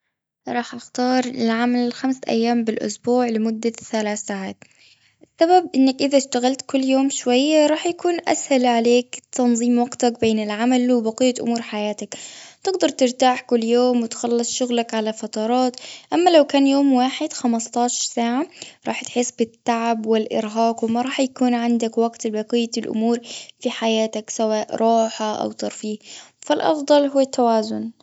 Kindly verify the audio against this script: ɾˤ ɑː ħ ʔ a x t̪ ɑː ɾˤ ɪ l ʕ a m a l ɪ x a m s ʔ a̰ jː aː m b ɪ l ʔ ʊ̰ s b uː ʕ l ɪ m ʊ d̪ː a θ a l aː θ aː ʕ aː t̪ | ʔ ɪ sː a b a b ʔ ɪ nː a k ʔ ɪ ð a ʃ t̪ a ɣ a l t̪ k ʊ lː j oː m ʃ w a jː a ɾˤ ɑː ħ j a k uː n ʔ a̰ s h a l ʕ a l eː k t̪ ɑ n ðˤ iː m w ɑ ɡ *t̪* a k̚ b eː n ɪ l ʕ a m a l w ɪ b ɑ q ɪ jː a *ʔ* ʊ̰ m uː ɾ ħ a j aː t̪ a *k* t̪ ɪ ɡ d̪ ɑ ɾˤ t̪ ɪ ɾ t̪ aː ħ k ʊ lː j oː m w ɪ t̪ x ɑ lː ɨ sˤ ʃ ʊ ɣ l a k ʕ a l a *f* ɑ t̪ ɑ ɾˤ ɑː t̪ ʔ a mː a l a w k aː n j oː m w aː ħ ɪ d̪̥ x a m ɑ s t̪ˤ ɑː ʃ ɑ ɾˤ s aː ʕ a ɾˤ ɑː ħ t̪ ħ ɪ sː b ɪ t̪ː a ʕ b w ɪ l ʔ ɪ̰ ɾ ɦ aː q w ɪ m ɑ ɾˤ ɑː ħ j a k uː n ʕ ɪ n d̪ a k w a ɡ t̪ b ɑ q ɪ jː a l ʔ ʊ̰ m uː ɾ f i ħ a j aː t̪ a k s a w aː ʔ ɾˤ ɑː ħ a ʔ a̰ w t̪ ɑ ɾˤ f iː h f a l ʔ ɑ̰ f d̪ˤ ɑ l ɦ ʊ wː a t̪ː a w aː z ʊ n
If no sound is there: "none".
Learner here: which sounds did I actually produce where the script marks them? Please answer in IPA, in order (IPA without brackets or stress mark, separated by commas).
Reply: t̪, ʔ, k, f